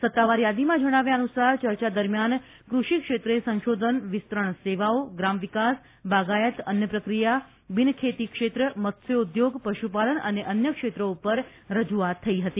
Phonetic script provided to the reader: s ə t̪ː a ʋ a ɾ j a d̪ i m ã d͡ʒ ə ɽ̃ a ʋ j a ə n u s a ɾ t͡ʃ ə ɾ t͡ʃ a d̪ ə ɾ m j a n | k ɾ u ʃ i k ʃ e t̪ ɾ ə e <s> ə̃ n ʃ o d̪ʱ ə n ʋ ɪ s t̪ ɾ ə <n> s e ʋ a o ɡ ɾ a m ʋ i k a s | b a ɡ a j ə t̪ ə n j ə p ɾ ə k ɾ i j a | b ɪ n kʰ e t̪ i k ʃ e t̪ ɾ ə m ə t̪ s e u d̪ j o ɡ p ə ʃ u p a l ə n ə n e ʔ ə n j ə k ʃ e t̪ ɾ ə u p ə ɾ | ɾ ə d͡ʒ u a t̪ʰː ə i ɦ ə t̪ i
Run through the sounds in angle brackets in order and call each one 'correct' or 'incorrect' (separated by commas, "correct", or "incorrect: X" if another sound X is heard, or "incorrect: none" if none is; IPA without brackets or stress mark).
correct, incorrect: ɳ